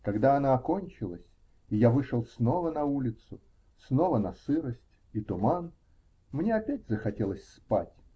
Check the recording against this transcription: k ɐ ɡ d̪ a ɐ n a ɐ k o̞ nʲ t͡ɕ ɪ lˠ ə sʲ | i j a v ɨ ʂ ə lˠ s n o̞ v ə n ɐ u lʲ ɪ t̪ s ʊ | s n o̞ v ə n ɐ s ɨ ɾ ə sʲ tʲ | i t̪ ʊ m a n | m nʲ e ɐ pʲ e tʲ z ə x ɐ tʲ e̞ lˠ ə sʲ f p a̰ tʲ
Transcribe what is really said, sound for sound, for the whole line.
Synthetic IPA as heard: k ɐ ɡ d̪ a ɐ n a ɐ k o̞ nʲ t͡ɕ ɪ lˠ ə sʲ | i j a v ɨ ʂ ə lˠ s n o̞ v ə n ɐ u lʲ ɪ t̪ s ʊ | s n o̞ v ə n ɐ s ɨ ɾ ə sʲ tʲ | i t̪ ʊ m a n | m nʲ e ɐ pʲ æ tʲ z ə x ɐ tʲ e̞ lˠ ə sʲ s p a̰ tʲ